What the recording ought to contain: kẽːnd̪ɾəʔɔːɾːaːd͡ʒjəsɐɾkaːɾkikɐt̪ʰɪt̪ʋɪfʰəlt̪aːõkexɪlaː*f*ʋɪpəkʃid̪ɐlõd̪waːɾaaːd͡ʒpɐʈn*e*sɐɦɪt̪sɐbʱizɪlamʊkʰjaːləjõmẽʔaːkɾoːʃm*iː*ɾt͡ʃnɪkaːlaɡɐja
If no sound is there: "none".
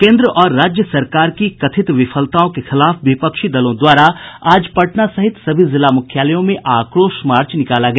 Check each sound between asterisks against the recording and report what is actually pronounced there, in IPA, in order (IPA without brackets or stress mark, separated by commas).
f, a, aː